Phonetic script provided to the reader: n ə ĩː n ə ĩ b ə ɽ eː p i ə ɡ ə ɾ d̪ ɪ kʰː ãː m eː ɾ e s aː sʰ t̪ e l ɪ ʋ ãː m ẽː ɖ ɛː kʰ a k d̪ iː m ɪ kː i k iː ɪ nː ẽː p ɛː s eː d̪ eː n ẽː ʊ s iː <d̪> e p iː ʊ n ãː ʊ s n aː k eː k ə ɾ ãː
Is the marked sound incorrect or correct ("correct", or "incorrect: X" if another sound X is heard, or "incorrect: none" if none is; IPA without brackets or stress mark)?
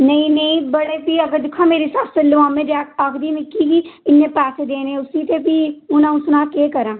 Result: incorrect: t̪